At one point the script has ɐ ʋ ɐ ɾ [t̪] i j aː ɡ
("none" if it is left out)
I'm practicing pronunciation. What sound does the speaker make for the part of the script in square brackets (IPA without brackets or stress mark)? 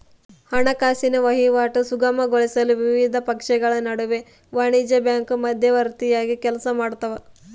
t̪